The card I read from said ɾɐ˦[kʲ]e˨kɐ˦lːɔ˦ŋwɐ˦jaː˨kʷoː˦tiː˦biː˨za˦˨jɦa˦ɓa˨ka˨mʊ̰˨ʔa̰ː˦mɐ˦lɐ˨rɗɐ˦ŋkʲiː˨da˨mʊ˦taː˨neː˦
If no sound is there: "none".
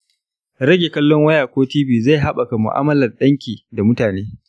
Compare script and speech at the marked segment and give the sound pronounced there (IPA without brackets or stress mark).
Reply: ɡʲ